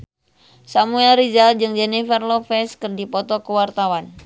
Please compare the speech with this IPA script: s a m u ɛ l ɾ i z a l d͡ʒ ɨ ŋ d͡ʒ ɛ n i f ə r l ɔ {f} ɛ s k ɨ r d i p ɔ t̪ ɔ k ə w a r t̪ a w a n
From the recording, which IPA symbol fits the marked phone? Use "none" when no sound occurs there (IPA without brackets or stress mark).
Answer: f